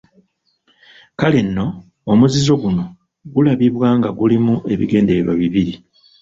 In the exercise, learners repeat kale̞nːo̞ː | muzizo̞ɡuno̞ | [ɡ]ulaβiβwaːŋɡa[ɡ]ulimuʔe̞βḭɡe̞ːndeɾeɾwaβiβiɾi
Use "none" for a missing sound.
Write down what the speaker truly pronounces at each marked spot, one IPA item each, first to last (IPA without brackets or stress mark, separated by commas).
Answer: ɡ, ɡ